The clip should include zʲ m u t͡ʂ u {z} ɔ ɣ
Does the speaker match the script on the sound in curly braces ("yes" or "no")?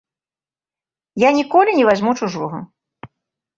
no